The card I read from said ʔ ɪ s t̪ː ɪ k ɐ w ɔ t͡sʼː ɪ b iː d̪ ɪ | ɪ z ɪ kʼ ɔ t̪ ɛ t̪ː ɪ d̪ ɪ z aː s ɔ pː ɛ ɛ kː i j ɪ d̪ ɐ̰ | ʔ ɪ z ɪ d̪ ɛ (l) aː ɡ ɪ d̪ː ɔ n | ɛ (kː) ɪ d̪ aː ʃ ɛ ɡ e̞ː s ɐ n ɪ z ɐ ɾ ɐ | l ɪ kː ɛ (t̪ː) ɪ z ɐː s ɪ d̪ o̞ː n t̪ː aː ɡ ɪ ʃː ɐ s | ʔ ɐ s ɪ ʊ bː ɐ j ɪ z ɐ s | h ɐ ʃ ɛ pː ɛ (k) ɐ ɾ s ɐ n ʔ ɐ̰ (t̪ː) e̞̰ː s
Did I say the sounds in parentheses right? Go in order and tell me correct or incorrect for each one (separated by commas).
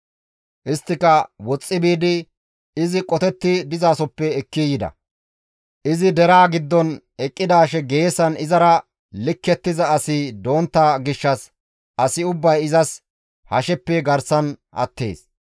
incorrect, incorrect, correct, incorrect, correct